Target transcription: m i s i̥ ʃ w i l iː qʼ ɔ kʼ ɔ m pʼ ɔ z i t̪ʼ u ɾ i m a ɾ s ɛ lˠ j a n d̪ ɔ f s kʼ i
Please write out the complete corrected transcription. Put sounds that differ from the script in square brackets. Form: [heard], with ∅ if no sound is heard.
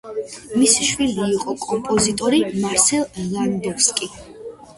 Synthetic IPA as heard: m i s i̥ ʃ w i l iː qʼ ɔ kʼ ɔ m pʼ ɔ z i t̪ʼ [ɔ] ɾ i m a ɾ s ɛ lˠ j a n d̪ ɔ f s kʼ i